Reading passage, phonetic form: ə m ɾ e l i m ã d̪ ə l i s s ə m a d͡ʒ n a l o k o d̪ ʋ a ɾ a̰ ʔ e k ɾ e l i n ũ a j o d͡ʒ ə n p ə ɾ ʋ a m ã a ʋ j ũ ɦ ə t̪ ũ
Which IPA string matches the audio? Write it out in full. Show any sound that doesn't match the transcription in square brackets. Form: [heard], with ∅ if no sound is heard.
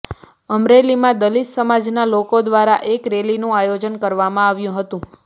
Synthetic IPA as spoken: ə m ɾ e l i m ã d̪ ə l i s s ə m a d͡ʒ n a l o k o d̪ ʋ a ɾ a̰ ʔ e k ɾ e l i n ũ a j o d͡ʒ ə n [k] ə ɾ ʋ a m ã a ʋ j ũ ɦ ə t̪ ũ